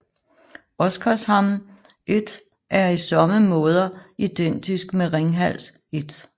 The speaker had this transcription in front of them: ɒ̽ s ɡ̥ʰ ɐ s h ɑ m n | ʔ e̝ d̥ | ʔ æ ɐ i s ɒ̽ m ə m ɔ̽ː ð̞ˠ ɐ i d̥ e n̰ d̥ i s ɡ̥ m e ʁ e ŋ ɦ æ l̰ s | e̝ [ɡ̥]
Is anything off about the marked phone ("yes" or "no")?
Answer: yes